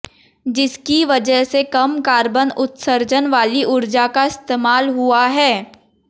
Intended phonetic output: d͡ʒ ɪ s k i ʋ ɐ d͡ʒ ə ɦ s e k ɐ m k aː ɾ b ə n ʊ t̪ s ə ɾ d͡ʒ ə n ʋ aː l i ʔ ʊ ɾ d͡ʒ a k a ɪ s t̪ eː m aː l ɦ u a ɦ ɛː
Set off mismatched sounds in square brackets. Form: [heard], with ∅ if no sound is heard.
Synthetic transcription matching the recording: d͡ʒ ɪ s k i ʋ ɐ d͡ʒ ə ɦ s e k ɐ m k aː ɾ b ə n ʊ t̪ s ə ɾ d͡ʒ ə n ʋ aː l i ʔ ʊ ɾ d͡ʒ a k a ɪ s t̪ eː m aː l ɦ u a ɦ ɛː